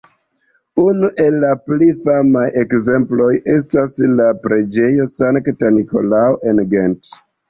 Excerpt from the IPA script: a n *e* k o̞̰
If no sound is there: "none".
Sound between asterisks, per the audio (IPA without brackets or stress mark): i